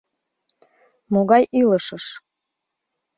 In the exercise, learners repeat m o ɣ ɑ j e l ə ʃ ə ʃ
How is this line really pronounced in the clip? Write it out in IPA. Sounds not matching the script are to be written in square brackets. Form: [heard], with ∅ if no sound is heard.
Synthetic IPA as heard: m o ɣ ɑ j [i] l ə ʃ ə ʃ